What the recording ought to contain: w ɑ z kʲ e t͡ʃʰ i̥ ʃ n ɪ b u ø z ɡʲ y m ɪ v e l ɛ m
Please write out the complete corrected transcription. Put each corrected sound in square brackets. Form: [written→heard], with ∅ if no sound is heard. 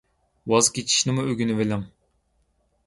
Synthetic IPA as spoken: w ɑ z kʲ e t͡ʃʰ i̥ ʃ n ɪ [b→m] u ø [z→∅] ɡʲ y [m→n] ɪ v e l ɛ m